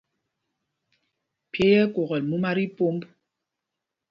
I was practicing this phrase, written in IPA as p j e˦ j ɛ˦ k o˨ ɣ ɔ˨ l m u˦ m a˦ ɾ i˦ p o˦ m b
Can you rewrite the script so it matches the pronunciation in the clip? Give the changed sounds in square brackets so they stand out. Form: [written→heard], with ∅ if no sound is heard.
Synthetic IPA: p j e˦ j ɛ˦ k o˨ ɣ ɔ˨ l m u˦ m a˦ ɾ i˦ p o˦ m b